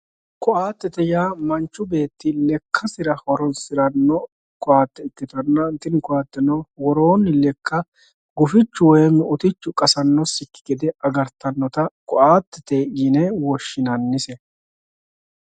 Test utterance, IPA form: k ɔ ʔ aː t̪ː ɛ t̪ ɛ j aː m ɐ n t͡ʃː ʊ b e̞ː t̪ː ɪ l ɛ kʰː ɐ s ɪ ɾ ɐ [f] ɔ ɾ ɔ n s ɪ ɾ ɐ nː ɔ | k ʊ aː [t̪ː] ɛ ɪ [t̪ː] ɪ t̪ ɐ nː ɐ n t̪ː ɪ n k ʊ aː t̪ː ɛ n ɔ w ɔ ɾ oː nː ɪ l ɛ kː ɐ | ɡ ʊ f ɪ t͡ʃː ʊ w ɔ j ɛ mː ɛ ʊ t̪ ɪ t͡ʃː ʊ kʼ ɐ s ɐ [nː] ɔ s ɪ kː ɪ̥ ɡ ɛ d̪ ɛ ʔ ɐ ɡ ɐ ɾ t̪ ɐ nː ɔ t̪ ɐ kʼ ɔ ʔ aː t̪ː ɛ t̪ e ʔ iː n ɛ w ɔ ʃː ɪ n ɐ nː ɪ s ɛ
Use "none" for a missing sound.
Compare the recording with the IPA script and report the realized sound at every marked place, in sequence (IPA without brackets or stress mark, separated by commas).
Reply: h, t̪ː, t̪ː, nː